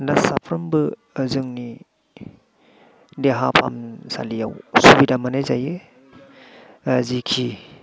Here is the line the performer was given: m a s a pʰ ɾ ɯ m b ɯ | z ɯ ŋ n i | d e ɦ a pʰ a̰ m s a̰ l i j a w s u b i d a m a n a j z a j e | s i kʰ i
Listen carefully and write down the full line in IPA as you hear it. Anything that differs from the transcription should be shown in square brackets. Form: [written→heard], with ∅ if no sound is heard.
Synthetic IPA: [m→n] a s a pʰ ɾ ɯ m b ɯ | z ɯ ŋ n i | d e ɦ a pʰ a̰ m s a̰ l i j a w s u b i d a m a n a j z a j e | [s→z] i kʰ i